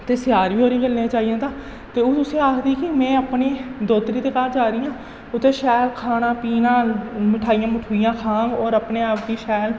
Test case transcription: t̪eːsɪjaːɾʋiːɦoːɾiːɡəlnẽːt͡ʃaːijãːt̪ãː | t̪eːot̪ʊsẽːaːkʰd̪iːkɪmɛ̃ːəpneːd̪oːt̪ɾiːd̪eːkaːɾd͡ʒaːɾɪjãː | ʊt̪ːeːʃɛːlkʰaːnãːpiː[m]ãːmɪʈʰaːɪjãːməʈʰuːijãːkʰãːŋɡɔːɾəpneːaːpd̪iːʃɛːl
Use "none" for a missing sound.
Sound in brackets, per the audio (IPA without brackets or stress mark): n